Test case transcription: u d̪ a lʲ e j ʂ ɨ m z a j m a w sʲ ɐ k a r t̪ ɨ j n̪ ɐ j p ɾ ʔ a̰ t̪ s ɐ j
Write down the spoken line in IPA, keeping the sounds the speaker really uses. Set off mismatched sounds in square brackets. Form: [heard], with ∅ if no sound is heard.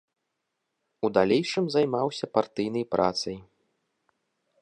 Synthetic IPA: u d̪ a lʲ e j ʂ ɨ m z a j m a w sʲ ɐ [p] a r t̪ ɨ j n̪ ɐ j p ɾ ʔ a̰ t̪ s ɐ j